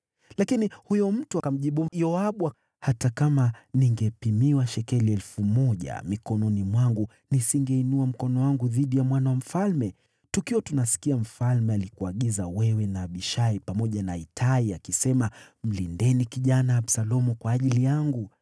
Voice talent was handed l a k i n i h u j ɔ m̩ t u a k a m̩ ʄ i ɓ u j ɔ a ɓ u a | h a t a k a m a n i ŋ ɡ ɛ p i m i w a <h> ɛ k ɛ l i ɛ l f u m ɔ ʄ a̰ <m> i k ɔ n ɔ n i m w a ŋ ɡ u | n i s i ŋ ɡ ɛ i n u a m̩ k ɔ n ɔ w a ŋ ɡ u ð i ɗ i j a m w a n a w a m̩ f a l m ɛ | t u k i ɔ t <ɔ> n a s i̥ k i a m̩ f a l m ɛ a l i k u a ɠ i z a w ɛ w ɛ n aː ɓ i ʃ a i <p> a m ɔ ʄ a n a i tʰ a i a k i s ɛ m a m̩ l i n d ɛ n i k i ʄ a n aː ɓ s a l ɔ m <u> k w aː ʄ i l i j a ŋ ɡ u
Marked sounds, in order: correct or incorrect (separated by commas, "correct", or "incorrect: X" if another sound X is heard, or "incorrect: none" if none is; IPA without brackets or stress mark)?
incorrect: ʃ, correct, incorrect: u, correct, correct